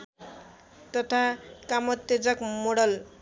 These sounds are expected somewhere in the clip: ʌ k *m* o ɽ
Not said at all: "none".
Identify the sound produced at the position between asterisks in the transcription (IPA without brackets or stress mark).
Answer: m